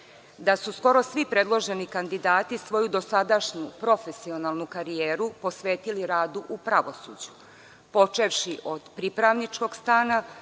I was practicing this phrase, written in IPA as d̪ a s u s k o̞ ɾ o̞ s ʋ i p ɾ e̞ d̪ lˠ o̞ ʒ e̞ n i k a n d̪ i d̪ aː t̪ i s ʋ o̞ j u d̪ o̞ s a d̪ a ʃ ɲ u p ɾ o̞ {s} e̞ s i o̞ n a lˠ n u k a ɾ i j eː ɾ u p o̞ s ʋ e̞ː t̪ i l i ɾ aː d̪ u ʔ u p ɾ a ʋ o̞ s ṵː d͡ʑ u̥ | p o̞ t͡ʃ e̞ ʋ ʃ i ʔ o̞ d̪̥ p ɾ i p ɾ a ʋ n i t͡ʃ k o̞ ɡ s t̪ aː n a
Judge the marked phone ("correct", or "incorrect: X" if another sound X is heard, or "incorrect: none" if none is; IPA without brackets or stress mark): incorrect: f